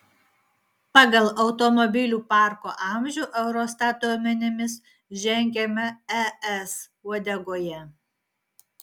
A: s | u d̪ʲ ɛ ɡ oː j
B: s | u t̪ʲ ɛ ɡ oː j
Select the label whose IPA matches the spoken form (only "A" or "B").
A